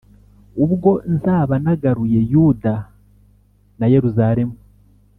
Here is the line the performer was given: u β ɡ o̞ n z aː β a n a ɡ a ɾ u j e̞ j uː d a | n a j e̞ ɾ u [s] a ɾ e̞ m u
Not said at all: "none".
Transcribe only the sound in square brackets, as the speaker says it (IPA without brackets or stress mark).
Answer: z